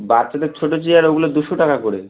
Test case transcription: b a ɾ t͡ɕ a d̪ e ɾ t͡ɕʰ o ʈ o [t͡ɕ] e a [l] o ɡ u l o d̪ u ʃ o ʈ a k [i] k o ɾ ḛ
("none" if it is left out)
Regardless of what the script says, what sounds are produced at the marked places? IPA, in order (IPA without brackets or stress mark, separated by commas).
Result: t͡ɕ, ɾ, a